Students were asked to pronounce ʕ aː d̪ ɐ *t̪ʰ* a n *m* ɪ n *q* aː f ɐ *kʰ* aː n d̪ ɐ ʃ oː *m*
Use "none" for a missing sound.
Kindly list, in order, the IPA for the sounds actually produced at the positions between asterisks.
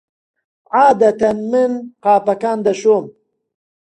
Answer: t̪, m, q, k, m

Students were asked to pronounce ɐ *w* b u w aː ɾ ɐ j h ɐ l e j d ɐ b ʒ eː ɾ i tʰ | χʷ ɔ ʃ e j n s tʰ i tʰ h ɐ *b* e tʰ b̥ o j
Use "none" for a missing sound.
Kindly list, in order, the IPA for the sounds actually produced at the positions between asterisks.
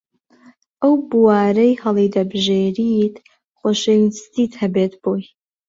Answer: w, b

